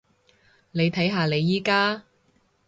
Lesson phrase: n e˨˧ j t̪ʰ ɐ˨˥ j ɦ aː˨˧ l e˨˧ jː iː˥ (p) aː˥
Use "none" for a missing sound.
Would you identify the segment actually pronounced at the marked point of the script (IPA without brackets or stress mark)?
k